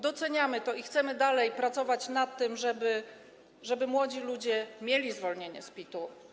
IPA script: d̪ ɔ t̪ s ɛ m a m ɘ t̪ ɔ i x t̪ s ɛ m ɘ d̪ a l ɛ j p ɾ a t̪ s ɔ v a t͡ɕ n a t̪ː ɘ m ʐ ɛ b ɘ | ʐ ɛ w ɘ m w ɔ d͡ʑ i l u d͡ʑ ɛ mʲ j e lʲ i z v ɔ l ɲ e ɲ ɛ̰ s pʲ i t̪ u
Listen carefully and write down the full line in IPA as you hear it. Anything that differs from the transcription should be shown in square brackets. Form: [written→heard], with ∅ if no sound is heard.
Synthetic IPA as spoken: d̪ ɔ t̪ s ɛ [m→ɲ] a m ɘ t̪ ɔ i x t̪ s ɛ m ɘ d̪ a l ɛ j p ɾ a t̪ s ɔ v a t͡ɕ n a t̪ː ɘ m ʐ ɛ b ɘ | ʐ ɛ [w→b] ɘ m w ɔ d͡ʑ i l u d͡ʑ ɛ mʲ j e lʲ i z v ɔ l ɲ e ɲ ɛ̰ s pʲ i t̪ u